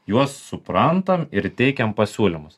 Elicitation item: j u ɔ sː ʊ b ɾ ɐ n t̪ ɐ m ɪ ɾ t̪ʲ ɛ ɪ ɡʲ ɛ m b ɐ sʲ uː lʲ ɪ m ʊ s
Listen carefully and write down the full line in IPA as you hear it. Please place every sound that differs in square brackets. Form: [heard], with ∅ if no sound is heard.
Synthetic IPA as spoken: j u ɔ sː ʊ [p] ɾ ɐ n t̪ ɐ m ɪ ɾ t̪ʲ ɛ ɪ [kʲ] ɛ m [p] ɐ sʲ uː lʲ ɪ m ʊ s